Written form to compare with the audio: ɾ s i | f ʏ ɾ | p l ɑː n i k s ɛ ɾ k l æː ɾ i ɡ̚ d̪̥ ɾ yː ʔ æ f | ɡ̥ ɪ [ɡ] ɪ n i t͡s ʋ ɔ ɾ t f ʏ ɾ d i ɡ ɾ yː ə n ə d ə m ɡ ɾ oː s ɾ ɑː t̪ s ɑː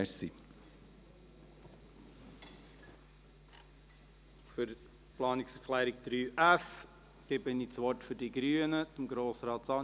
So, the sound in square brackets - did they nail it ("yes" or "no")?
no